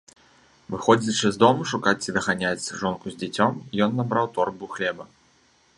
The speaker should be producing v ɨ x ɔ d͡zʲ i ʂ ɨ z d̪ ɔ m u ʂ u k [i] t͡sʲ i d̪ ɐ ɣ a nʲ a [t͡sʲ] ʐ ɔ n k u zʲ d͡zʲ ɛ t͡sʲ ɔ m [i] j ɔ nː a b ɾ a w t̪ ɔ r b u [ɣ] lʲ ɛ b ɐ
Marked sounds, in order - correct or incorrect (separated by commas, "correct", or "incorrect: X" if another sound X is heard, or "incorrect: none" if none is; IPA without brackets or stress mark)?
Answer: incorrect: a, correct, correct, incorrect: x